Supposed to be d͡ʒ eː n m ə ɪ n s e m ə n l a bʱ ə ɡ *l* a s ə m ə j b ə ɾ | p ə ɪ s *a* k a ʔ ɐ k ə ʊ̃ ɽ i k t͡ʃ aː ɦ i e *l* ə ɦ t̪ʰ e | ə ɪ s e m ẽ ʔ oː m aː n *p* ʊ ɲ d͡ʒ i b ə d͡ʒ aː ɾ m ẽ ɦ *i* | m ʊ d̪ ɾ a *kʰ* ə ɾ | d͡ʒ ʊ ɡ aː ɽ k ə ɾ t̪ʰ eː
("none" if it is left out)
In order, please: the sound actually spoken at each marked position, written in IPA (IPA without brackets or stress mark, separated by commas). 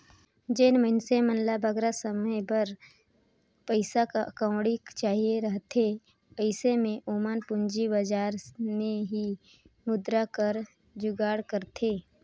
ɾ, a, ɾ, p, i, k